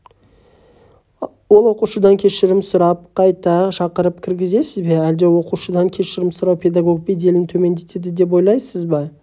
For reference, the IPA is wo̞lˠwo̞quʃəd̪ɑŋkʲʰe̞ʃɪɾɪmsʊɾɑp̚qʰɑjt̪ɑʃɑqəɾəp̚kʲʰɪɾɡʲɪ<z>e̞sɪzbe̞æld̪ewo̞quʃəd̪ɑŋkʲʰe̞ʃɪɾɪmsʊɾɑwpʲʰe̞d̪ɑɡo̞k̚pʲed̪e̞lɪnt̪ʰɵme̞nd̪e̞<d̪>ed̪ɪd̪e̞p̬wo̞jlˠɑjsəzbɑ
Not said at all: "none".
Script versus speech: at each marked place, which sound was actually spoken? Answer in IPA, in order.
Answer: z, t̪

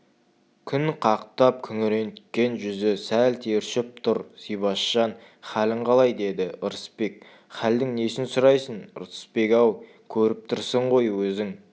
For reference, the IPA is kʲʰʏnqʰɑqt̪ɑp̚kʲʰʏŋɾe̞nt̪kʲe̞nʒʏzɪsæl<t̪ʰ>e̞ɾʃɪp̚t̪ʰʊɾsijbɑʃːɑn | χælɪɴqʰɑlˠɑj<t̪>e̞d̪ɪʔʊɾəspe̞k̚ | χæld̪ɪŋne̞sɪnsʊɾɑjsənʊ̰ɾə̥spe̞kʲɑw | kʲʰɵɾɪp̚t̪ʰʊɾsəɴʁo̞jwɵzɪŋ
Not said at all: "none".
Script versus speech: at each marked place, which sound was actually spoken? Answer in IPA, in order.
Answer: t̪ʰ, d̪

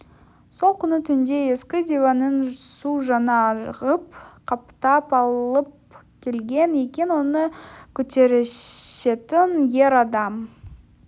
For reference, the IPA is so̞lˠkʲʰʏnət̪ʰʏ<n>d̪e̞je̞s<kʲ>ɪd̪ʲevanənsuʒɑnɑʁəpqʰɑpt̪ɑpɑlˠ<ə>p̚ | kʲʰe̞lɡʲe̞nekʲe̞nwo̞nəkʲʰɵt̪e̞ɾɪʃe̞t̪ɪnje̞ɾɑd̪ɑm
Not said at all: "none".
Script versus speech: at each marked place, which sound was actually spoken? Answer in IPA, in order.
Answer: n, kʲ, ə

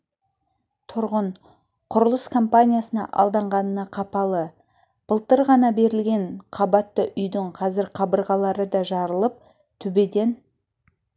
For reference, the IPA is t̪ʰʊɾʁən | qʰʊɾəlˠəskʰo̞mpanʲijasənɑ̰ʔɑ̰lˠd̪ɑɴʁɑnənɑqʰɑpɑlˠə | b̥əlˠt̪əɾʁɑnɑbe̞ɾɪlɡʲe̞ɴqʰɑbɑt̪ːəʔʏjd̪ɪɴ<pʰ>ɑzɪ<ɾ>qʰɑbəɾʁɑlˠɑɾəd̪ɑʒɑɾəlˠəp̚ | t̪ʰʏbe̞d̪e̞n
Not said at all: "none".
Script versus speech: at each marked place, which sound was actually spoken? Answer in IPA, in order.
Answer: qʰ, ɾ

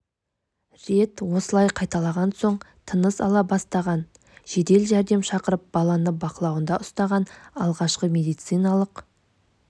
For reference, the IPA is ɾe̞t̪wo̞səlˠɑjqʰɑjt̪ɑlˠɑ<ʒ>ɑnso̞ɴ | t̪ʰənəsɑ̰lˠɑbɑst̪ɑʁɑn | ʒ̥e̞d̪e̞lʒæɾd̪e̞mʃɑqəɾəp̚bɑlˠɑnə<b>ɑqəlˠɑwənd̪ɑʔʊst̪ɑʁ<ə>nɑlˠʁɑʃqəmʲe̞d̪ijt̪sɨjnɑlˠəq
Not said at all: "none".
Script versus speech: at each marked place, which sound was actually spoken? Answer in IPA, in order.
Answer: ʁ, b, ɑ

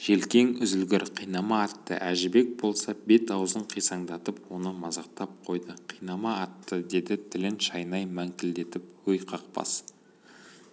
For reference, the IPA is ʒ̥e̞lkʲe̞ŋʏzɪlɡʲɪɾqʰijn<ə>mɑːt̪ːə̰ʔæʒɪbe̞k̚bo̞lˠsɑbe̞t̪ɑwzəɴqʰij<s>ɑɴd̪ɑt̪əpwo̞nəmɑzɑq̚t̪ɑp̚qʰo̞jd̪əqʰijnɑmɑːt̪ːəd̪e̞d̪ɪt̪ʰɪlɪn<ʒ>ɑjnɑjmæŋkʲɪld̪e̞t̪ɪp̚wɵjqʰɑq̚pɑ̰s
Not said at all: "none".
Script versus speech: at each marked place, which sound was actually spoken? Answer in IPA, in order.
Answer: ɑ, s, ʃ

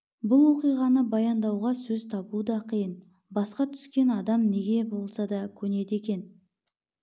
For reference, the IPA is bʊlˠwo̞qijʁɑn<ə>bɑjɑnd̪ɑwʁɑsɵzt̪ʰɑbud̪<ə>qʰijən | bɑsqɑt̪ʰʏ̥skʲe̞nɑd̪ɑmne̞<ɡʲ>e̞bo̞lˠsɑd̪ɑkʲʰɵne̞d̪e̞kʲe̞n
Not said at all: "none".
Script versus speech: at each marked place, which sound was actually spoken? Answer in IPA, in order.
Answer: ə, ɑ, ɡʲ

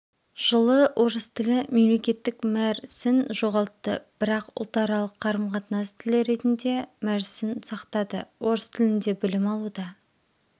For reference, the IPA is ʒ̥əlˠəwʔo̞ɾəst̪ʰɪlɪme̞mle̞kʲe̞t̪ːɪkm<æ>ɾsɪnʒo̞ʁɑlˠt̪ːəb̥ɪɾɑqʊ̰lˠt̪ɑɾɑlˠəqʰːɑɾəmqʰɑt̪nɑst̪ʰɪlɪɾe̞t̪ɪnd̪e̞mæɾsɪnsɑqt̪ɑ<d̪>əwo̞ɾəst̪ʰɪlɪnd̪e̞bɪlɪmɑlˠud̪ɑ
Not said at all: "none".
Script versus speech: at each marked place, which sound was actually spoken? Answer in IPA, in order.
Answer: æ, d̪

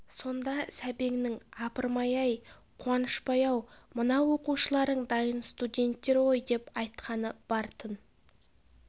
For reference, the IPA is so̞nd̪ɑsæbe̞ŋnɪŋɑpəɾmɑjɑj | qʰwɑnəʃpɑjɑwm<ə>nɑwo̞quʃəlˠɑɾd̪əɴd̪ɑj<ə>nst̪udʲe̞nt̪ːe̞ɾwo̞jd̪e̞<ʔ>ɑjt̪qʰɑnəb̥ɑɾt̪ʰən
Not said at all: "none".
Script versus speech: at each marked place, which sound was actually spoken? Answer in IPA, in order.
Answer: ə, ə, p

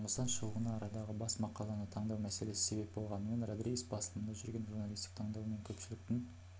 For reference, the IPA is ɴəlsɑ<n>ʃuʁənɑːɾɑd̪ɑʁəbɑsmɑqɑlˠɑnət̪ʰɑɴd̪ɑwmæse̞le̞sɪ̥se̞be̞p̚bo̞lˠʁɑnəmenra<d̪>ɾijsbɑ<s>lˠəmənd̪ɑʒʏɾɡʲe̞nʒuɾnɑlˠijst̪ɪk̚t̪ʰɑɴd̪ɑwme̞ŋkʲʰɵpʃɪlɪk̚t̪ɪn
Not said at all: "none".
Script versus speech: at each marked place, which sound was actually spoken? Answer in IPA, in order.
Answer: n, d̪, s

